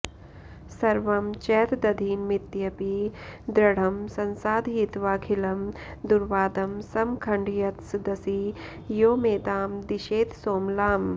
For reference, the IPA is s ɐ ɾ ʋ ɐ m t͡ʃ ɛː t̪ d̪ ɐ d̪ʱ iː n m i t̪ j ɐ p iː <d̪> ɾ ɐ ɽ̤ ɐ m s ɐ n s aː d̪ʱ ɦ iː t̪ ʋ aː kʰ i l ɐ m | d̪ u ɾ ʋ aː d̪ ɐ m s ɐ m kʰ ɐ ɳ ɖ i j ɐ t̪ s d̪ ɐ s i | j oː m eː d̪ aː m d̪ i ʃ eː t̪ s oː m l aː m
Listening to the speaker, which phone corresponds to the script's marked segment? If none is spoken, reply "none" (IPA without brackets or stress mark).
d̪